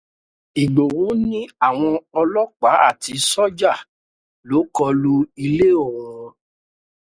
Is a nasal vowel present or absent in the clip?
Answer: present